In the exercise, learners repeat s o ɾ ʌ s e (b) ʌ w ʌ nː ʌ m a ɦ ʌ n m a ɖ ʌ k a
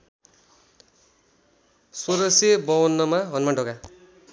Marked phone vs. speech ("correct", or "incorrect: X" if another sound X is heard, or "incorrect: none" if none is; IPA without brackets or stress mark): correct